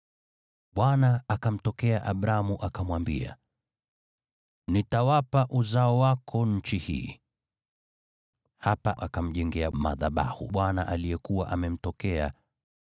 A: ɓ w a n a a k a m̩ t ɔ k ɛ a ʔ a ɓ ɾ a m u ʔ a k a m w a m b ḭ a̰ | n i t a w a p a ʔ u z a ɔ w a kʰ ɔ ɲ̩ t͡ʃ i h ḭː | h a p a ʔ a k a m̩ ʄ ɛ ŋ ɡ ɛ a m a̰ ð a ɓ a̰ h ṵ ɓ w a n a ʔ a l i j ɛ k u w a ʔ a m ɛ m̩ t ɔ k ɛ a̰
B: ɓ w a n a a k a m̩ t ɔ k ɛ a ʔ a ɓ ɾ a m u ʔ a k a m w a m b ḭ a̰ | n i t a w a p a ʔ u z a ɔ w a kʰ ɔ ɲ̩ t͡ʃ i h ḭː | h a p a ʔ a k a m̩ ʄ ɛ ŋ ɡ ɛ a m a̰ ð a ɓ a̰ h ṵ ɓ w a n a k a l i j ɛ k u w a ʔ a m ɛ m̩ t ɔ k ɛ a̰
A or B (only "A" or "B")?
A